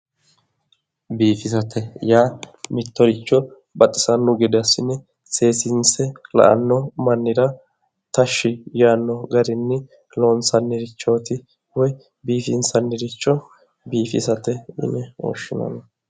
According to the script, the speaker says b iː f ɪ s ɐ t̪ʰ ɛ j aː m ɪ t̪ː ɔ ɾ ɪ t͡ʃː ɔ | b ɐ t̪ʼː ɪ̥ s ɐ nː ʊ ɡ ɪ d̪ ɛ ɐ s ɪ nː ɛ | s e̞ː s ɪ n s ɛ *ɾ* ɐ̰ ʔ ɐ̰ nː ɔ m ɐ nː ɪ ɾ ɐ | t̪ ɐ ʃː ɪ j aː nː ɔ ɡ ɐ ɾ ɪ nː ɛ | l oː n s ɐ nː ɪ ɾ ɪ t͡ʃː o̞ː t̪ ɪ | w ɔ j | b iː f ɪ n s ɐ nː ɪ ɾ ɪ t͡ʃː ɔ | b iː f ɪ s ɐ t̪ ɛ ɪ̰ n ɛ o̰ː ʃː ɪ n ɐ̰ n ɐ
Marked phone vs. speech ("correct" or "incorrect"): incorrect